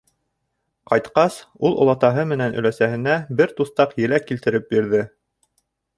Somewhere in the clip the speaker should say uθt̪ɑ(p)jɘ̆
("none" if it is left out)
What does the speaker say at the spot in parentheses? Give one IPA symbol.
q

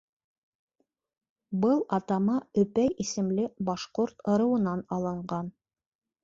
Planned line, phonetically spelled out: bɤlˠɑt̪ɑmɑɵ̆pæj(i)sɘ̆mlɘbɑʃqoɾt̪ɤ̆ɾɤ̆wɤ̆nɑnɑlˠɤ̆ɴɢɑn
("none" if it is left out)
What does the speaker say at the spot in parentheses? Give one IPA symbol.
i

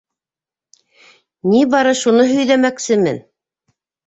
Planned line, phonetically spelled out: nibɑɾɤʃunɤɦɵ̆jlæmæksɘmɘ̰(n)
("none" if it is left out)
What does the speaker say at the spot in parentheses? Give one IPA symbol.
n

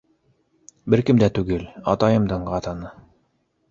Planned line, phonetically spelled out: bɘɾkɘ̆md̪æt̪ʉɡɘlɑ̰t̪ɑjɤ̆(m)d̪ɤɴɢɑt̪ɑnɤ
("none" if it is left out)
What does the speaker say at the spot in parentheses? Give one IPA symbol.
m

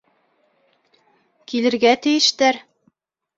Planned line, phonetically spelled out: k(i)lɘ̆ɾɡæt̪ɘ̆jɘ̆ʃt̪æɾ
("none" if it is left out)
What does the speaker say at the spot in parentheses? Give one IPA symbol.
i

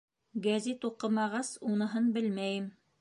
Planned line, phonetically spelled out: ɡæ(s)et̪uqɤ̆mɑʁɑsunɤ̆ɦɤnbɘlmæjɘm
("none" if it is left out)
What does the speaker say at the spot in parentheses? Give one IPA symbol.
z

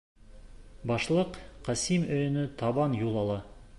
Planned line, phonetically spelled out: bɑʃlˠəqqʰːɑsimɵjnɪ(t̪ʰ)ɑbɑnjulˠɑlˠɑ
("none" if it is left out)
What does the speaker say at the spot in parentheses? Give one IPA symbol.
t̪ʰ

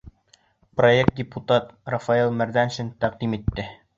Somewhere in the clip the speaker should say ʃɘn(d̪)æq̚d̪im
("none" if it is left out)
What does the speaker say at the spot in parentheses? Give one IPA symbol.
t̪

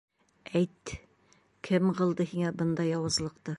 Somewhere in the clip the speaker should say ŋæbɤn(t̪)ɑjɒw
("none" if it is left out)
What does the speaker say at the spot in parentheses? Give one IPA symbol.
d̪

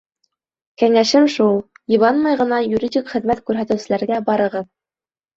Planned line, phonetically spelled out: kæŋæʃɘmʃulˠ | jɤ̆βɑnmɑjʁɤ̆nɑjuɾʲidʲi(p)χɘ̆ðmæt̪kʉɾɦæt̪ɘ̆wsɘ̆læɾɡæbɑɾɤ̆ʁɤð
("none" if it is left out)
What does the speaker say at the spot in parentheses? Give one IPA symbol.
k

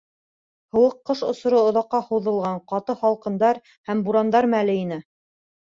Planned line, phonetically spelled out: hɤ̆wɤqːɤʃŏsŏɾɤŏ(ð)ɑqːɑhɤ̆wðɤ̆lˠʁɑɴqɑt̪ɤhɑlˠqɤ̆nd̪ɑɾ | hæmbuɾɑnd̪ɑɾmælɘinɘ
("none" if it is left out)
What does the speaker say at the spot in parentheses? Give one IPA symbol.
ð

